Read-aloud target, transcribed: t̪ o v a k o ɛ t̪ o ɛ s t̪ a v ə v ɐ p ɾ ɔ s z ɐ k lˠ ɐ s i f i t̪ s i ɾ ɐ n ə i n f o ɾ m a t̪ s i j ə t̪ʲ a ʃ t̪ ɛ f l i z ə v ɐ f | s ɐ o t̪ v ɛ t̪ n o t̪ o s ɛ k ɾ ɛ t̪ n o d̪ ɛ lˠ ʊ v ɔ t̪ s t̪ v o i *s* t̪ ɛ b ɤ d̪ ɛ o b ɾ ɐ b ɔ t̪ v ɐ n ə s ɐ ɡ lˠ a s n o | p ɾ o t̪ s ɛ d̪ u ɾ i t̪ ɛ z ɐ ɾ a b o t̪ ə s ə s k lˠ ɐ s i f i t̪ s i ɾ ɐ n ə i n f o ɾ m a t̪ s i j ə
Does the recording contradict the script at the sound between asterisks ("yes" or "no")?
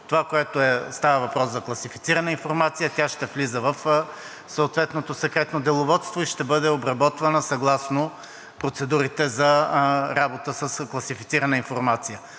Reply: yes